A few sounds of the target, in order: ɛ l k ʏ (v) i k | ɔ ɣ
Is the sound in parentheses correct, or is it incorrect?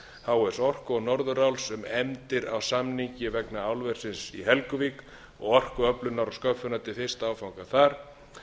correct